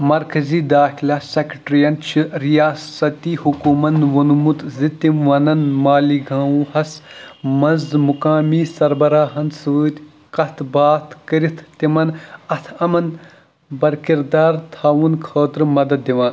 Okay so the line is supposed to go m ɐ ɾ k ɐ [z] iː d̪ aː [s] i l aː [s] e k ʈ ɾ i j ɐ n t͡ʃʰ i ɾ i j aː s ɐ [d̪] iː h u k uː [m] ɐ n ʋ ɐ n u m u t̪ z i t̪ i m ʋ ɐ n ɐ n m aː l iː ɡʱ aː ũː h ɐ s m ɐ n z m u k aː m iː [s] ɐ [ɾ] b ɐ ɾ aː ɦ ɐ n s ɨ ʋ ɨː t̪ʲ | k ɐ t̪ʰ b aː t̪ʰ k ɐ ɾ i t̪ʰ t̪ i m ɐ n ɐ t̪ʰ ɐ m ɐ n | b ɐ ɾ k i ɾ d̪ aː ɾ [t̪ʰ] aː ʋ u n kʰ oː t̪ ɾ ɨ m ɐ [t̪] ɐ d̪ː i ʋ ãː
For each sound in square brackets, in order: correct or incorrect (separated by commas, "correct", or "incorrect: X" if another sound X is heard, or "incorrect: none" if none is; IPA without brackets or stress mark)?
correct, incorrect: x, correct, incorrect: t̪, correct, correct, correct, correct, incorrect: d̪